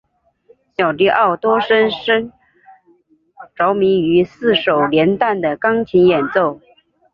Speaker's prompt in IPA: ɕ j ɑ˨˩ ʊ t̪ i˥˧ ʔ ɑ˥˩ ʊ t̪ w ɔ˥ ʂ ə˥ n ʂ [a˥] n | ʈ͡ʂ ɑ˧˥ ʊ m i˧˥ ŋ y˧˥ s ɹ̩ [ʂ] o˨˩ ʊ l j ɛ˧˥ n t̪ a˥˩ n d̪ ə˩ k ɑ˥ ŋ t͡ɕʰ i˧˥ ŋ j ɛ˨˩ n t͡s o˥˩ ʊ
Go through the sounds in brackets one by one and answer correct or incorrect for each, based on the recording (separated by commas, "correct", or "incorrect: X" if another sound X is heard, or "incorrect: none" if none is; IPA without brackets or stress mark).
incorrect: ə˥, correct